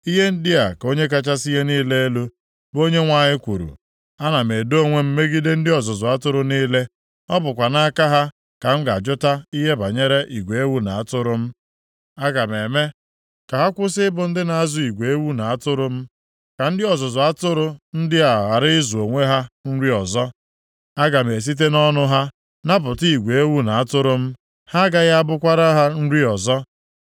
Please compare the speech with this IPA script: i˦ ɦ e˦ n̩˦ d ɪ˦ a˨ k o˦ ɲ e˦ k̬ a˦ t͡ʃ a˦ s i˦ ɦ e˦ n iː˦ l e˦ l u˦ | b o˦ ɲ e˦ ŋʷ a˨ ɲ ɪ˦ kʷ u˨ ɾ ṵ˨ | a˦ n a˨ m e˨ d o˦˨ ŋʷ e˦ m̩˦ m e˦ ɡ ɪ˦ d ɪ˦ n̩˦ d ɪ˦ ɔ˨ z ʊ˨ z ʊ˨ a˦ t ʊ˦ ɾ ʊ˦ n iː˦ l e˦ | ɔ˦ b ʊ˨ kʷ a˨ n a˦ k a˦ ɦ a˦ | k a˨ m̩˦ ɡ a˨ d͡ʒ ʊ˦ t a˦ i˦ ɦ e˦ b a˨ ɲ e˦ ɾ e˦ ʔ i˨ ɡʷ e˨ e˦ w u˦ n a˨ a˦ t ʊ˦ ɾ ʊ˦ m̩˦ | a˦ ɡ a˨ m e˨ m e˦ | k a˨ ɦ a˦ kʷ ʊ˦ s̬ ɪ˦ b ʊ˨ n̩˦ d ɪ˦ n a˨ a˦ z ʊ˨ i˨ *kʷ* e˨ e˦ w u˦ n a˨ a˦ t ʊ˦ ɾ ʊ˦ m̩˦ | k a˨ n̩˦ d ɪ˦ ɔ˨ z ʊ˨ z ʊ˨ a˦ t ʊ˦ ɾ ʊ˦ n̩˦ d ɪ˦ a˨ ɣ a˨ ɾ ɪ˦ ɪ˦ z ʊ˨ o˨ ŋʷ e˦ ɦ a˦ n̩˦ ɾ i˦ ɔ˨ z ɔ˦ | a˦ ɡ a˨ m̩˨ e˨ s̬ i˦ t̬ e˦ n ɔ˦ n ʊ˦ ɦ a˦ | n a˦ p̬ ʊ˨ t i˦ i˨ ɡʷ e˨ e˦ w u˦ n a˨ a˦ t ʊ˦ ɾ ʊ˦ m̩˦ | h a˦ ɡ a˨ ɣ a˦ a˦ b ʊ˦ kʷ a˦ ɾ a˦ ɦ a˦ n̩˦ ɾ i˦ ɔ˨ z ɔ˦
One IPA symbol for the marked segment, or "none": ɡʷ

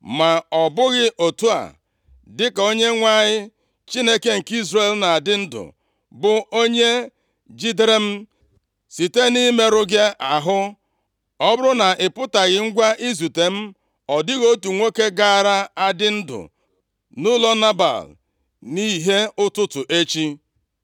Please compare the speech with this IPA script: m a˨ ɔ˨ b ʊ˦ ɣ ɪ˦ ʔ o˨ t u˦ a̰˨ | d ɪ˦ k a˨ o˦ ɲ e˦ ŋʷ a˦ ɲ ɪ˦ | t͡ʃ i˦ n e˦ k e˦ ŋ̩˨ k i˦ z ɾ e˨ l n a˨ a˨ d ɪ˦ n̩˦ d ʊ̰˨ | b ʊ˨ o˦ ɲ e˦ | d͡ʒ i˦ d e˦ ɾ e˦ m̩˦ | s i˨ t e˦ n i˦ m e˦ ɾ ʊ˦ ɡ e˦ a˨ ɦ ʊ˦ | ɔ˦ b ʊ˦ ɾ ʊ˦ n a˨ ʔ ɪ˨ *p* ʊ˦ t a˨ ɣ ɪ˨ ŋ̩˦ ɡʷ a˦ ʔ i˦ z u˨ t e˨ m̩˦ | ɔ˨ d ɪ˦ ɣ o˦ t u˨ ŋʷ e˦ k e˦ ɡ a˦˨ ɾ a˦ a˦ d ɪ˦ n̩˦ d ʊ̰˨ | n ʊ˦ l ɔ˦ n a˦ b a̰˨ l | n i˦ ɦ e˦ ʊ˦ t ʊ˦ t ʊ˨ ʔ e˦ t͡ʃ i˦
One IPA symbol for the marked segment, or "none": p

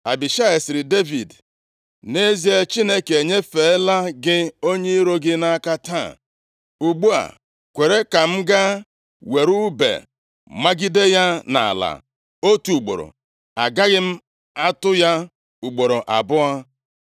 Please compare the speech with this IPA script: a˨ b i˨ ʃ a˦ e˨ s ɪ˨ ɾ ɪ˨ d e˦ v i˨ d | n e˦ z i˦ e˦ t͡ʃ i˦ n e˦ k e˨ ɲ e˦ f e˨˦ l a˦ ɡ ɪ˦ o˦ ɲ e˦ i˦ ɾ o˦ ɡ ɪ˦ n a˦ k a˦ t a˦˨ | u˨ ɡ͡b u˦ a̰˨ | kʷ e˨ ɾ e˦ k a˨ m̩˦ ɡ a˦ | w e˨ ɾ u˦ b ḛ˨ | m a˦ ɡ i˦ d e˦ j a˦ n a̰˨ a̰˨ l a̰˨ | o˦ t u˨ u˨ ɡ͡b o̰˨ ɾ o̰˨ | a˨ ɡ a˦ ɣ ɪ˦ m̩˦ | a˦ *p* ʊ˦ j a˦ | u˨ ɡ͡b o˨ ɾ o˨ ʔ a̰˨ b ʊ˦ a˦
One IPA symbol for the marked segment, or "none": t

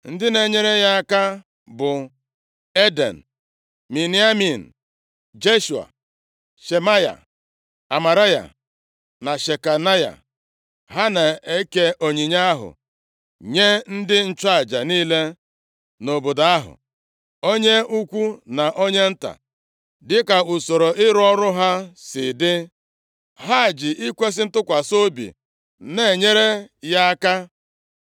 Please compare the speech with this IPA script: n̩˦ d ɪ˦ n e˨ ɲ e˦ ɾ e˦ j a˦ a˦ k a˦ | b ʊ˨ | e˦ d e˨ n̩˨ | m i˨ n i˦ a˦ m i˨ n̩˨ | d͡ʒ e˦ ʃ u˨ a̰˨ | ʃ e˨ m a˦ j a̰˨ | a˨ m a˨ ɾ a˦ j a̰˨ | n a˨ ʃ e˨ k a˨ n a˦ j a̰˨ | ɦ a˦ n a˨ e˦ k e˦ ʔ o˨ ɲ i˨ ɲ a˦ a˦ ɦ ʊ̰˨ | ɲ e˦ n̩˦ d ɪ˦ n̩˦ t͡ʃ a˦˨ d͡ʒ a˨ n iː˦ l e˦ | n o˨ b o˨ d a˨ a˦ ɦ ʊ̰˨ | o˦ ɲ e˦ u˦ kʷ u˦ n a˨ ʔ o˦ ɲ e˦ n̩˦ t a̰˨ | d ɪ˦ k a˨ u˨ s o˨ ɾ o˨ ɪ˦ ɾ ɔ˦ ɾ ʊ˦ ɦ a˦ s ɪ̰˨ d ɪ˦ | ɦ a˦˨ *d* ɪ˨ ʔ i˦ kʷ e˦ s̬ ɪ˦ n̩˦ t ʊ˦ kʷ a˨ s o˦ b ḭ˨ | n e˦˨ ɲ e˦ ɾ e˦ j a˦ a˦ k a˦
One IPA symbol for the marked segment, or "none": d͡ʒ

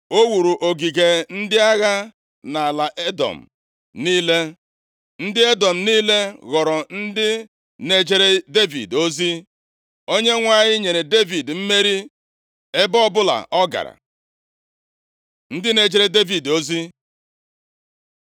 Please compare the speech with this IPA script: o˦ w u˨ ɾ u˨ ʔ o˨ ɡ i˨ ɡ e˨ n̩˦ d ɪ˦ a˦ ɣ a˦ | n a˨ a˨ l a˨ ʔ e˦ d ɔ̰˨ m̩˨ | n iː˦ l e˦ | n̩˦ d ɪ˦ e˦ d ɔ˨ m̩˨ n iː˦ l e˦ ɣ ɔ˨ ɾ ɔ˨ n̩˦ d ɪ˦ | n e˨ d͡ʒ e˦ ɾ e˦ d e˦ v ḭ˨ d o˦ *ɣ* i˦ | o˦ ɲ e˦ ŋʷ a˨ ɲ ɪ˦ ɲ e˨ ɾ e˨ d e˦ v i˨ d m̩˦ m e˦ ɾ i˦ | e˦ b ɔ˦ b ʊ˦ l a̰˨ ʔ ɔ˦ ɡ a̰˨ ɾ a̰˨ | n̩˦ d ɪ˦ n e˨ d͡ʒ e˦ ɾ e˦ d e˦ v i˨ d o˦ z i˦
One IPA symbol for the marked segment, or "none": z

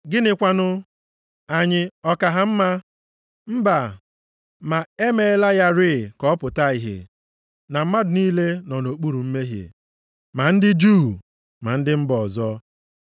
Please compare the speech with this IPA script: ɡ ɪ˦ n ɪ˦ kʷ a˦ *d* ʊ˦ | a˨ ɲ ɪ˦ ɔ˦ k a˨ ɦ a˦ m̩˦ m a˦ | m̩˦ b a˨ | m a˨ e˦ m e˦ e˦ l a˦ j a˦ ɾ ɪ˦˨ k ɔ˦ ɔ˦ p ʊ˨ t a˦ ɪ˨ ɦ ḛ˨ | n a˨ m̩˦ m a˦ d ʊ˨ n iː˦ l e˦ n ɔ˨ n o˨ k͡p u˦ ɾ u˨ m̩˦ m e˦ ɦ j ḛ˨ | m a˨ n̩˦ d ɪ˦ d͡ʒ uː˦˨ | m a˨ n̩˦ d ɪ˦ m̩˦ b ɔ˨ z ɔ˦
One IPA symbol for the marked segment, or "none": n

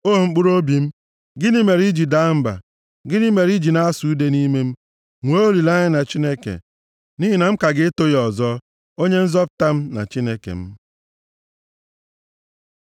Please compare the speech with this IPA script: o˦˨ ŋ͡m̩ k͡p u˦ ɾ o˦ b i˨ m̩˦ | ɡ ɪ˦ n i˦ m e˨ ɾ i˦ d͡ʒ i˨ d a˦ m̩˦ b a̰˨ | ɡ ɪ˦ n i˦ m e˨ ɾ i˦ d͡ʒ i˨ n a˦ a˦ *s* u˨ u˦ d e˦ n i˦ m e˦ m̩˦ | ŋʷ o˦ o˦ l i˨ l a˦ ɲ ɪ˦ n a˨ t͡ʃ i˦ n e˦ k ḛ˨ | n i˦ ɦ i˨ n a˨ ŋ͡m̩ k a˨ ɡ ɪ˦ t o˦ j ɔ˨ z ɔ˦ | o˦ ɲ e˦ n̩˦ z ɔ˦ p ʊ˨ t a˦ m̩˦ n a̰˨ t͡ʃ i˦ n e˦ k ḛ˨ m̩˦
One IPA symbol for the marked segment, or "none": s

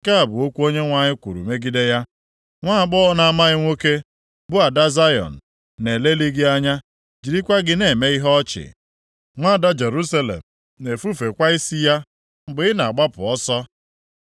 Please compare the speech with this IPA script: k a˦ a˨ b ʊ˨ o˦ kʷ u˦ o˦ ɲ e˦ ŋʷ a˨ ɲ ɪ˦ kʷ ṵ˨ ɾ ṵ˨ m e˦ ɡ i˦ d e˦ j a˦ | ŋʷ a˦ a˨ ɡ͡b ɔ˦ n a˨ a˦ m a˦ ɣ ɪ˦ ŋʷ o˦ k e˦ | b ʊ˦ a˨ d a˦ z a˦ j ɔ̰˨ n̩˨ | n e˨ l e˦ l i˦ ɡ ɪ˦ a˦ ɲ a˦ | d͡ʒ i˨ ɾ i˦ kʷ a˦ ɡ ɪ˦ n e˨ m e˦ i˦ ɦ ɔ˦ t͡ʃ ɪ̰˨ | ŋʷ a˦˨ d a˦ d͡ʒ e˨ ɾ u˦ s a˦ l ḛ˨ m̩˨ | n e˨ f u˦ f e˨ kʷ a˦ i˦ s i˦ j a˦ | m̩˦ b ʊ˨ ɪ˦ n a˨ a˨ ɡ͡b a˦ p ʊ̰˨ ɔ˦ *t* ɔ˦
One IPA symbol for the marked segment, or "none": s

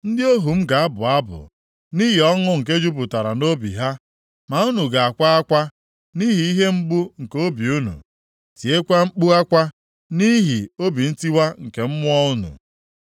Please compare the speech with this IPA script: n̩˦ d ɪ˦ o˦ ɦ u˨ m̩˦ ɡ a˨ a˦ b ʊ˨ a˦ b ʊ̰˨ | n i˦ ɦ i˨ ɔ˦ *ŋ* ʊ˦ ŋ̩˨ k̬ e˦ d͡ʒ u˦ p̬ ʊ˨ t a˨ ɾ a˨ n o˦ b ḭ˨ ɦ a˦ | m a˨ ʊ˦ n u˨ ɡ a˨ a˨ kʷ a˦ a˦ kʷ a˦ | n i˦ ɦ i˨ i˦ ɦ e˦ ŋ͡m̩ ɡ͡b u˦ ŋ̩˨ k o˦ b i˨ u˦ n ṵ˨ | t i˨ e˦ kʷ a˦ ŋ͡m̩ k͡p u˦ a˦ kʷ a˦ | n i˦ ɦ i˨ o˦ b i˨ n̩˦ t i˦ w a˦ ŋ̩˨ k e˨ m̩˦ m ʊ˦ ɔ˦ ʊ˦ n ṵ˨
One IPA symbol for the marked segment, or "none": ŋ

